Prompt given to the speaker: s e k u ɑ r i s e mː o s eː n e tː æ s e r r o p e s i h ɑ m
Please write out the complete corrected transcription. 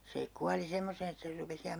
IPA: s e k u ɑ l i s e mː o s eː n e tː æ s e r r u p e s i h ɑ m

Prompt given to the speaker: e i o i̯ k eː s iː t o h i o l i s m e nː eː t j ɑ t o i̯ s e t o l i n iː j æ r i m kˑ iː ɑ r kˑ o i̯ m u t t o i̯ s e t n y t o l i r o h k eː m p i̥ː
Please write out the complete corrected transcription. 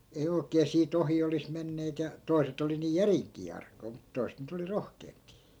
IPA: e i o i̯ k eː s iː t o h i o l i s m e nː eː t j ɑ t o i̯ s e t o l i n iː j æ r i ŋ kˑ iː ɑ r kˑ o i̯ m u t t o i̯ s e t n y t o l i r o h k eː m p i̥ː

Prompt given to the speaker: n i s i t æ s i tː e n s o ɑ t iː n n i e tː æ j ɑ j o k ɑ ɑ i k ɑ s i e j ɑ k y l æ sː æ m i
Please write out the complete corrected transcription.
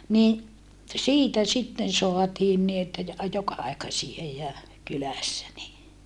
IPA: n i s iː t æ s i tː e n s o ɑ t iː n n i e tː æ j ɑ j o k ɑ ɑ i k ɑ s i e j ɑ k y l æ sː æ n i

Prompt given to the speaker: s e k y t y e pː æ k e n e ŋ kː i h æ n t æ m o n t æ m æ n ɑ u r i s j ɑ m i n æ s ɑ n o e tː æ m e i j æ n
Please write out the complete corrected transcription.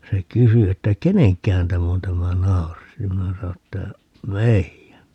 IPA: s e k y s y e tː æ k e n e ŋ kː æ h æ n t æ m o n t æ m æ n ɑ u r i s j ɑ m i n æ s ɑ n o e tː æ m e i j æ n

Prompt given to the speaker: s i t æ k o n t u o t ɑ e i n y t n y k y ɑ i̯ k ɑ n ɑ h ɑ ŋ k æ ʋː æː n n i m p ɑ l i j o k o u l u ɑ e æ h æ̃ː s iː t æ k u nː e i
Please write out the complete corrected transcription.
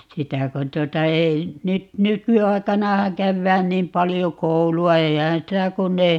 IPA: s i t æ k o n t u o t ɑ e i n y t n y k y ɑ i̯ k ɑ n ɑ h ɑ ŋ k æ ʋː æː n n iː m p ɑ l i j o k o u l u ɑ e i h æ̃ː s i t æ k u nː e i

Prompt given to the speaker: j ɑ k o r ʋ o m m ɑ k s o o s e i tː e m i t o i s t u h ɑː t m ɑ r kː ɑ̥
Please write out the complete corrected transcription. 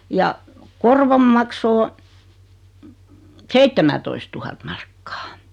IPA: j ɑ k o r ʋ o m m ɑ k s o o s e i tː e m æ t o i s t u h ɑ t m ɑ r kː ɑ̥

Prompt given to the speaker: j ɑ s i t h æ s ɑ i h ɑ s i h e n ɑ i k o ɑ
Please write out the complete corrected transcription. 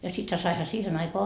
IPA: j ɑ s i t h æ s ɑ i h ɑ s iː h e n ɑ i k o ɑ

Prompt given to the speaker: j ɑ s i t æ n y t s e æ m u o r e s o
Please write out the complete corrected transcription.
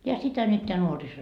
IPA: j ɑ s i t æ n y t t e æ n u o r i s o

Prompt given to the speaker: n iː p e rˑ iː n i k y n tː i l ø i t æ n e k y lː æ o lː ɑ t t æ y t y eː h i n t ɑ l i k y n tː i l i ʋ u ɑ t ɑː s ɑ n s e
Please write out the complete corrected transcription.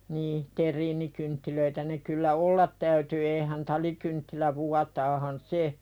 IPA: n iː t e rˑ iː n i k y n tː i l ø i t æ n e k y lː æ o lː ɑ t t æ y t y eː h æ n t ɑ l i k y n tː i l æ ʋ u ɑ t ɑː h ɑ n s e

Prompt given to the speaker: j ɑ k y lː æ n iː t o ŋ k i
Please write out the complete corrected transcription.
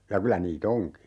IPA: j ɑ k y l æ n iː t o ŋ k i

